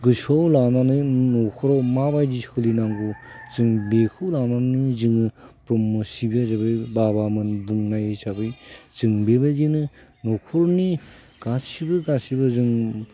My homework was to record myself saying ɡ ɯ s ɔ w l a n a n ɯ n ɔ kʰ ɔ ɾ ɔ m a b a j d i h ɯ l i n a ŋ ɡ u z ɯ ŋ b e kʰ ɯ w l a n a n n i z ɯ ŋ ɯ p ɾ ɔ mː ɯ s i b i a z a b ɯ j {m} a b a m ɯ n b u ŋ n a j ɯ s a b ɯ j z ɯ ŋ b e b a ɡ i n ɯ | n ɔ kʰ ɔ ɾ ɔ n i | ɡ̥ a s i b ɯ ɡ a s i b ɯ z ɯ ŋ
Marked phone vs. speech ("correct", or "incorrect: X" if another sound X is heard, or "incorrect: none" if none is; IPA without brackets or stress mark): incorrect: b